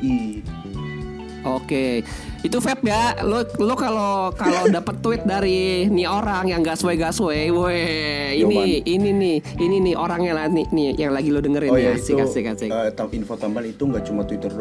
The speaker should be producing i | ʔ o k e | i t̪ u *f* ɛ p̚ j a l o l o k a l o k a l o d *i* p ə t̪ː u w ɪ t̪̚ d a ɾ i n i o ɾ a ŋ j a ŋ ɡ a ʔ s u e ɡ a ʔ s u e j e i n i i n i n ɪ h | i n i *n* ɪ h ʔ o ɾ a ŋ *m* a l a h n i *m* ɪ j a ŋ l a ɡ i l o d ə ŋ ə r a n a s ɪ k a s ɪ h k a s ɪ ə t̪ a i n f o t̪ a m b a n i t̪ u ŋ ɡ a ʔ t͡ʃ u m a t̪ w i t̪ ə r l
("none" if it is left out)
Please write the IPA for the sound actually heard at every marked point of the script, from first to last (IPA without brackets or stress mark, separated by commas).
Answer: f, a, n, ɲ, n